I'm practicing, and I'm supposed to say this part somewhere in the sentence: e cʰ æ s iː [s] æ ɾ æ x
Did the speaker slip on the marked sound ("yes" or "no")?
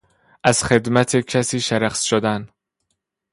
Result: yes